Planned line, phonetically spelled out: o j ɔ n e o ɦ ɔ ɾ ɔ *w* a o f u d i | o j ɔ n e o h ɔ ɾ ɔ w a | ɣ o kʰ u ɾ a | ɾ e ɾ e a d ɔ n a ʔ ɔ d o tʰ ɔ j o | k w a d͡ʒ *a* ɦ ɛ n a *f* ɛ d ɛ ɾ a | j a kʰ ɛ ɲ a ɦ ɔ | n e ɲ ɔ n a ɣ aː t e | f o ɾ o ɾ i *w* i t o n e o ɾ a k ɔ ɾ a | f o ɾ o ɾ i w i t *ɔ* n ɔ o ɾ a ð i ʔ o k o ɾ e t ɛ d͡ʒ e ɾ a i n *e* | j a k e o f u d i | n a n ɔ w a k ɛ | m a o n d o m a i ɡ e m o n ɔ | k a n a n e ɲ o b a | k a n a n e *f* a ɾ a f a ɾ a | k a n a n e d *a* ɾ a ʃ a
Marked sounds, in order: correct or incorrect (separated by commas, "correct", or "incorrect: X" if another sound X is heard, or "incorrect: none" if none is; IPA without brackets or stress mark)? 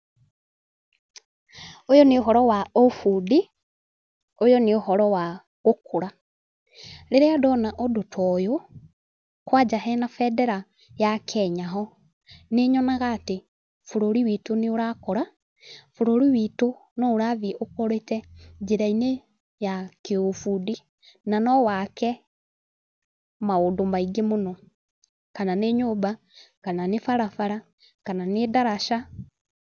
correct, correct, correct, correct, incorrect: o, correct, correct, correct